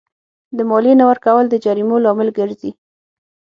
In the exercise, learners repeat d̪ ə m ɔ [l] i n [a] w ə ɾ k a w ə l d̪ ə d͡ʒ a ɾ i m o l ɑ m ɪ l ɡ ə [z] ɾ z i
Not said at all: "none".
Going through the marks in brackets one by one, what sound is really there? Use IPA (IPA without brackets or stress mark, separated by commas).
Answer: l, a, none